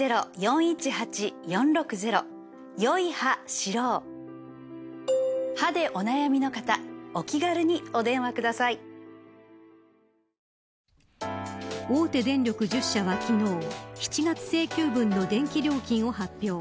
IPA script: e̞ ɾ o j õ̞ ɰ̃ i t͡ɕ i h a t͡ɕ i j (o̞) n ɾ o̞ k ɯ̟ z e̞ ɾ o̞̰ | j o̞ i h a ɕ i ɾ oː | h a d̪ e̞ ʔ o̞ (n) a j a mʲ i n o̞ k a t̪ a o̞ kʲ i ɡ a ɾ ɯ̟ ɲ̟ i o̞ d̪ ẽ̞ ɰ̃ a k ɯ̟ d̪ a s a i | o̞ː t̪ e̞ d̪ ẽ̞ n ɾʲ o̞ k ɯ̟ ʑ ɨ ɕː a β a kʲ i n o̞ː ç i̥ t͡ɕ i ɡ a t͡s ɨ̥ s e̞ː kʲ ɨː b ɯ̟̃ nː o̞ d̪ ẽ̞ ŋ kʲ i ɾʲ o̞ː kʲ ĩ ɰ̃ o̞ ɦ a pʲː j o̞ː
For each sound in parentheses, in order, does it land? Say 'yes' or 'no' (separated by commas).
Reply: no, yes